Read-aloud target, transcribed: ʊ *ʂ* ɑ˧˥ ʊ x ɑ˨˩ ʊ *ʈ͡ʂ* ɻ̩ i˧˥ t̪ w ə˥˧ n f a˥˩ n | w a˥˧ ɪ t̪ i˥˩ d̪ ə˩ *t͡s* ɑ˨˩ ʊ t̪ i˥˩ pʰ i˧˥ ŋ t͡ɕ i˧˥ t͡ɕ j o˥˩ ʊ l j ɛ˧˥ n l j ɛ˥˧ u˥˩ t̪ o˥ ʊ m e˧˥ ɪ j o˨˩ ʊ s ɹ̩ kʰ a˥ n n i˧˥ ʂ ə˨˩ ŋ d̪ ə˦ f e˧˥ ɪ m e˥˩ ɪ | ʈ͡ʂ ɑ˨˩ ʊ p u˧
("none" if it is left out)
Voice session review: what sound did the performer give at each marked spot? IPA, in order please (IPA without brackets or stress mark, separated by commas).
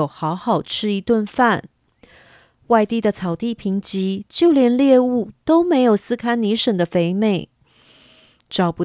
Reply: x, ʈ͡ʂʰ, t͡sʰ